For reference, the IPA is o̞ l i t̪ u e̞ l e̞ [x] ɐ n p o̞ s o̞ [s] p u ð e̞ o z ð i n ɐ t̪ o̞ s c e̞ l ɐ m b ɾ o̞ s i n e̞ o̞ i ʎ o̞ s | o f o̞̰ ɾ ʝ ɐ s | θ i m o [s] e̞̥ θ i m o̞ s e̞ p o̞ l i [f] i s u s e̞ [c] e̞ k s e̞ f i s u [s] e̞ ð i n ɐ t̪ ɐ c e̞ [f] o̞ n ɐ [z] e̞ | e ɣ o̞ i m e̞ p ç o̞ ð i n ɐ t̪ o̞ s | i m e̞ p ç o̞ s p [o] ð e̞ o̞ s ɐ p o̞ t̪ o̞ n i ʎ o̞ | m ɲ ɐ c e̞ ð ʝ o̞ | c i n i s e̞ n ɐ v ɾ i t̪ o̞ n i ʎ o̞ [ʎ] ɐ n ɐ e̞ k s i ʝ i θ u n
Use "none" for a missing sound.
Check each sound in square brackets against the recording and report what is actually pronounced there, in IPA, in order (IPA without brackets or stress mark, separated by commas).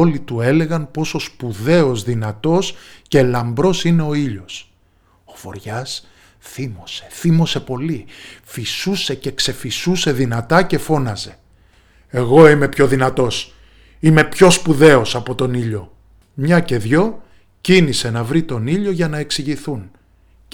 ɣ, s, s, f, c, s, f, z, u, ʝ